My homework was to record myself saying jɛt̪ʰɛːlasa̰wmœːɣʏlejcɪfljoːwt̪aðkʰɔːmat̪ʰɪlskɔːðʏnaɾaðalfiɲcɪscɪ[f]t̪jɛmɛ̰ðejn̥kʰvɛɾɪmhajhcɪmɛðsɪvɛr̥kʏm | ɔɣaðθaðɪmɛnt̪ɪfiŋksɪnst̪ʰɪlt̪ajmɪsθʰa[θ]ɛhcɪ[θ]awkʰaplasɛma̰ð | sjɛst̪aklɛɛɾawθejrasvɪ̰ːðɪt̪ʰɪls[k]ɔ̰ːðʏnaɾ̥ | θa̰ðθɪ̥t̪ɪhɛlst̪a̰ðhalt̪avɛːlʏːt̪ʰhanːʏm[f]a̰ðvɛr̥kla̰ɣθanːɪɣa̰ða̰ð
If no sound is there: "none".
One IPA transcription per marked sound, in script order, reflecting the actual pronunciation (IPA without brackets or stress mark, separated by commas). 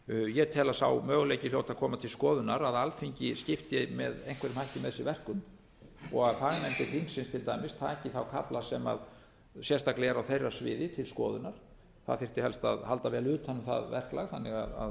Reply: f, ð, θ, k, θ